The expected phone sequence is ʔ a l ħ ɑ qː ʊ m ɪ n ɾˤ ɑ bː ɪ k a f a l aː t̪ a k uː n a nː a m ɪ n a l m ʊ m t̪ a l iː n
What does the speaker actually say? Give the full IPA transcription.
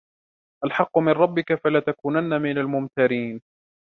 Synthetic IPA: ʔ a l ħ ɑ qː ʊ m ɪ n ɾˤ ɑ bː ɪ k a f a l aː t̪ a k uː n a nː a m ɪ n a l m ʊ m t̪ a ɾ iː n

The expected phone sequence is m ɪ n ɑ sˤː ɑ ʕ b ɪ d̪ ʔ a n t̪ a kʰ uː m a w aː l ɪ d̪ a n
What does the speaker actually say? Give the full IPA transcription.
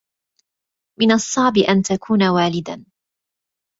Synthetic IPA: m ɪ n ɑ sˤː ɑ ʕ b ɪ ʔ a n t̪ a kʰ uː n a w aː l ɪ d̪ a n

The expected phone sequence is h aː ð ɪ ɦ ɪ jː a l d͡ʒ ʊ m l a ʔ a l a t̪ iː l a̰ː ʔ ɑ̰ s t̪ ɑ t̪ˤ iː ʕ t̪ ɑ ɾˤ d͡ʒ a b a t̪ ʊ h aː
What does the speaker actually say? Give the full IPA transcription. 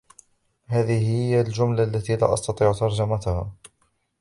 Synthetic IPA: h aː ð ɪ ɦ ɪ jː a l d͡ʒ ʊ m l a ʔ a lː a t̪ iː l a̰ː ʔ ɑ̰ s t̪ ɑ t̪ˤ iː ʕ t̪ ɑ ɾˤ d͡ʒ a m a t̪ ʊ h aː

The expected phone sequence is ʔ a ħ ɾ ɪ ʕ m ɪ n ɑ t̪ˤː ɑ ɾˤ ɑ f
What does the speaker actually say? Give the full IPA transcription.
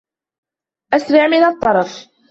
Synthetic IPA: ʔ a s ɾ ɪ ʕ m ɪ n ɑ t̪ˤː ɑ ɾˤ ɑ f

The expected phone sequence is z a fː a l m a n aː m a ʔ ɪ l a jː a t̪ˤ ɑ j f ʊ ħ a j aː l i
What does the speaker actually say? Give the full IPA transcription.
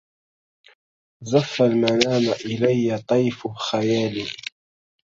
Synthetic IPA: z a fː a l m a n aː m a ʔ ɪ l a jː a t̪ˤ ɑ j f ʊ x a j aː l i

